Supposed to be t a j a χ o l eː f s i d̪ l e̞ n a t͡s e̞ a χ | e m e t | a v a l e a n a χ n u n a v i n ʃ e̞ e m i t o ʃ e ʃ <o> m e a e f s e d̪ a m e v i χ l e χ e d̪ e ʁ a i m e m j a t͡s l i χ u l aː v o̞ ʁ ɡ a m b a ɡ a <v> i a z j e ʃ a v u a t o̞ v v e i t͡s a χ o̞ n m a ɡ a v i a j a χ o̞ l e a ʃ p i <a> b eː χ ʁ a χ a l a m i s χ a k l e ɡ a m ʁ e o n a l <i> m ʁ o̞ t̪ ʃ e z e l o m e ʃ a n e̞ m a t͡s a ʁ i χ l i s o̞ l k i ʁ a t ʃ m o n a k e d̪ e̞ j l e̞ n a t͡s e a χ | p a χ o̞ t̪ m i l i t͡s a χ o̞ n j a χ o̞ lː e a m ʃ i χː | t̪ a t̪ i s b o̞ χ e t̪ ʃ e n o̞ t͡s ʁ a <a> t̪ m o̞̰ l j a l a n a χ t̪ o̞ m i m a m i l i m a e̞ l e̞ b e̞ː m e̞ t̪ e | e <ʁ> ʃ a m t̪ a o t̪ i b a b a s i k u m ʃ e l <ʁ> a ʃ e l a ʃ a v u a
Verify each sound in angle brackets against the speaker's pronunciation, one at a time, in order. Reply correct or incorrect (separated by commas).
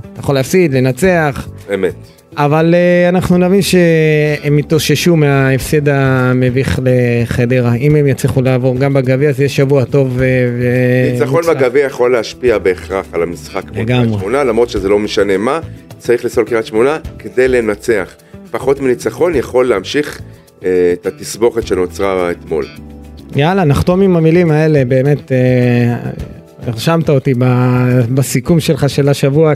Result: incorrect, correct, correct, incorrect, incorrect, correct, incorrect